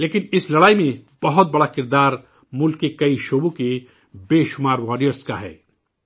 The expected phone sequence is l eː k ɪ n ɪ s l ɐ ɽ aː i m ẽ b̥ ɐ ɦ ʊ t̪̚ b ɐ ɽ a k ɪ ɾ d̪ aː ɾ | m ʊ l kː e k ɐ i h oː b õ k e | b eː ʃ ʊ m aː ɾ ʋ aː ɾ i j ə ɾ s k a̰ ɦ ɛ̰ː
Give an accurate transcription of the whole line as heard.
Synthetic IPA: l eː k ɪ n ɪ s l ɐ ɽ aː i m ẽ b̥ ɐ ɦ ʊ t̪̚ b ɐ ɽ a k ɪ ɾ d̪ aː ɾ | m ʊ l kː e k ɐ i ʃ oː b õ k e | b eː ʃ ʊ m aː ɾ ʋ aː ɾ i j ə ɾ s k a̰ ɦ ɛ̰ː